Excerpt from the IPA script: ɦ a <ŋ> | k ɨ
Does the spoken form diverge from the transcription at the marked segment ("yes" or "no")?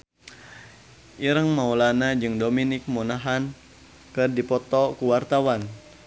yes